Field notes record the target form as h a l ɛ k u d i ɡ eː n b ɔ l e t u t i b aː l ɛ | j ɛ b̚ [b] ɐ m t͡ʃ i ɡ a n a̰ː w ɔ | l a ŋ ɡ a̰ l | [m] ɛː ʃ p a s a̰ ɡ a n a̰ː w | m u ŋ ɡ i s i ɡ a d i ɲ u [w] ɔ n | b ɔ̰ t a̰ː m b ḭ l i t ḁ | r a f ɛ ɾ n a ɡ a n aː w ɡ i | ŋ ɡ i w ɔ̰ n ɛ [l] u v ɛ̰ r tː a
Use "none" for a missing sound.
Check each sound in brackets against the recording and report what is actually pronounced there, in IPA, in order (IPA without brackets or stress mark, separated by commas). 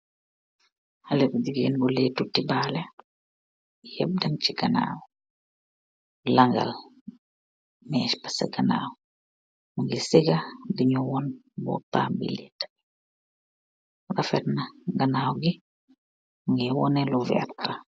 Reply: d, m, w, l